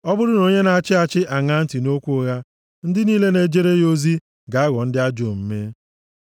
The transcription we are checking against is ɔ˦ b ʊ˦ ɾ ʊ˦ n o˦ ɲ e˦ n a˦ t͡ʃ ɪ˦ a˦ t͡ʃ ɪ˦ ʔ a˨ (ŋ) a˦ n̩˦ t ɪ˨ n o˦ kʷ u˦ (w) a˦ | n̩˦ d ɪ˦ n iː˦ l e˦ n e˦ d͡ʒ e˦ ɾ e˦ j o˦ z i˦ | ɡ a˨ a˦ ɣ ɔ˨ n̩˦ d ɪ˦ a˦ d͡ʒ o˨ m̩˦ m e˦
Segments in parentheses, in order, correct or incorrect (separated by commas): correct, incorrect